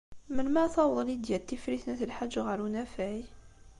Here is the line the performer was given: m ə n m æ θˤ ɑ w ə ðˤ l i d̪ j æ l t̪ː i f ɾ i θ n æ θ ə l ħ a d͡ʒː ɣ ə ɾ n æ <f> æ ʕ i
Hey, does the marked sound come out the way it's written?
yes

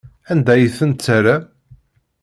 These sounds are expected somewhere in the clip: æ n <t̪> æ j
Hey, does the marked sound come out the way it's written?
no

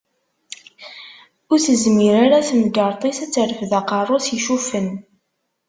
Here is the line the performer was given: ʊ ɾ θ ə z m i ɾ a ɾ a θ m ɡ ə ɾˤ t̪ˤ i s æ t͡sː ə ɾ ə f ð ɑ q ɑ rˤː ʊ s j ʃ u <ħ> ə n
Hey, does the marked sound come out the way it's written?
no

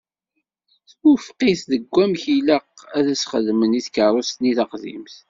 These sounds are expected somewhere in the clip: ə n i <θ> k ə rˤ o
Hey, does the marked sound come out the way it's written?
yes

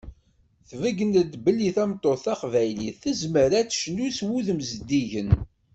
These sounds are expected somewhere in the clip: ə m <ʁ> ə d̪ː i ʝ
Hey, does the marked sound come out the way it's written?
no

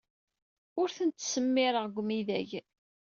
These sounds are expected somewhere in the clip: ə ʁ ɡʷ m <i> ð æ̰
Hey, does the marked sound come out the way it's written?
yes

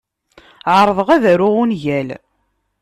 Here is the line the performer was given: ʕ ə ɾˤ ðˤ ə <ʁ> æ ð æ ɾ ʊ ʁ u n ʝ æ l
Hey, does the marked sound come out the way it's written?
yes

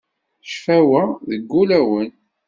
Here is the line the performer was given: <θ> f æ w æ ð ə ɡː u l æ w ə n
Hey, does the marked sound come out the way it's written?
no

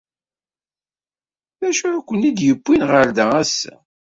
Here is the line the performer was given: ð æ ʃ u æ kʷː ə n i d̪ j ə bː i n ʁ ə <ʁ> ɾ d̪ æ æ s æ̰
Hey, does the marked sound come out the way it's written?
no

